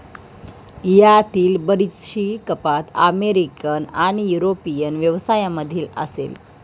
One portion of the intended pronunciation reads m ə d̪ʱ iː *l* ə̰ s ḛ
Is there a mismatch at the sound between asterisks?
no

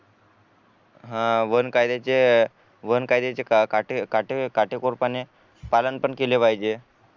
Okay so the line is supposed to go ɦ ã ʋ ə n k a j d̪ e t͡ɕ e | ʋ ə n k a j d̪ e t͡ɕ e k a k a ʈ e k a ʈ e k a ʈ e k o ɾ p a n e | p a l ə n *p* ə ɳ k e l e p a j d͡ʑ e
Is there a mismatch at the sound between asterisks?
no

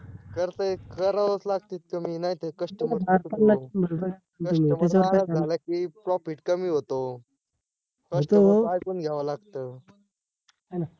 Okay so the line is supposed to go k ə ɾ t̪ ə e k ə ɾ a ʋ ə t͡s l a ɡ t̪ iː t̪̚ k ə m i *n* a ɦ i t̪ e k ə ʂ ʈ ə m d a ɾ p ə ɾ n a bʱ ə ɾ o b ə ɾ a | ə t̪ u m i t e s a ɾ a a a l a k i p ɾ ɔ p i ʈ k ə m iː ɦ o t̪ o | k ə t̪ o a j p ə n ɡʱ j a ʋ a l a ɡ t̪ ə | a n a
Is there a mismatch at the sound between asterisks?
no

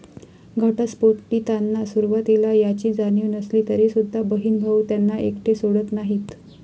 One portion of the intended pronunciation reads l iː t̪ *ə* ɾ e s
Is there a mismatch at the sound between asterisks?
no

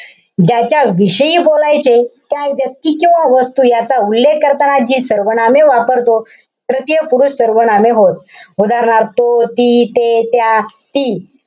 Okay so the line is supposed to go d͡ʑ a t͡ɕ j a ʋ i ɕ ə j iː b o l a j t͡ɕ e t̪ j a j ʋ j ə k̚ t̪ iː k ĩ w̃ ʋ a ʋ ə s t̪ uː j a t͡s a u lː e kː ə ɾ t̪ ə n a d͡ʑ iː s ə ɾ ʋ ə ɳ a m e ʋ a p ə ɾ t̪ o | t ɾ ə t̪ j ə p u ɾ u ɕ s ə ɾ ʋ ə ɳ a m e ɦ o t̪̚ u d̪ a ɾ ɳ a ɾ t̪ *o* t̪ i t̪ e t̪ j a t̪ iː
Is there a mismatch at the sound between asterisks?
no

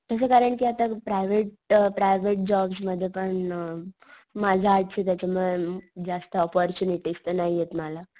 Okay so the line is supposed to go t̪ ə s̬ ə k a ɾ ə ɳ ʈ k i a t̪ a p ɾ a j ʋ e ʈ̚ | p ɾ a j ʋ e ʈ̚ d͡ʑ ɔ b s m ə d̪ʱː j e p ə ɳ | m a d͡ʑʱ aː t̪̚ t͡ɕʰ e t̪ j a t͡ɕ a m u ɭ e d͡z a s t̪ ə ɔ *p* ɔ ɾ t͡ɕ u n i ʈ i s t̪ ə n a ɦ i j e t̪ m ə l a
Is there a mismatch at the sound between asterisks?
no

